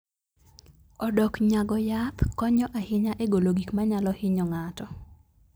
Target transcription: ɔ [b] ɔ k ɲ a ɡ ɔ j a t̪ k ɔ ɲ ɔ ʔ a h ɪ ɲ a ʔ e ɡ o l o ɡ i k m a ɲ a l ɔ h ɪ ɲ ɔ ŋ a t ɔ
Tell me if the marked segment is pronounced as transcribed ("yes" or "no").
no